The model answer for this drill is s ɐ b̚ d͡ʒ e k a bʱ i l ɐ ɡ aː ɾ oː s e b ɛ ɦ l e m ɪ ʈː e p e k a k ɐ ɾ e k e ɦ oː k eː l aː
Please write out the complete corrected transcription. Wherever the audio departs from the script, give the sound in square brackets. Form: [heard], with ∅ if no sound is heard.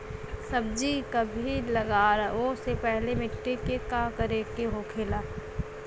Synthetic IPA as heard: s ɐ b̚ d͡ʒ [i] k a bʱ i l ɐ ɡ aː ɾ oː s e [p] ɛ ɦ l e m ɪ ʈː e [k] e k a k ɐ ɾ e k e ɦ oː [kʰ] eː l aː